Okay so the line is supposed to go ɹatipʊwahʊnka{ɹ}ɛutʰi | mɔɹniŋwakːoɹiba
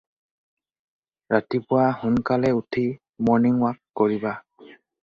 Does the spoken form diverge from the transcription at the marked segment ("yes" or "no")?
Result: yes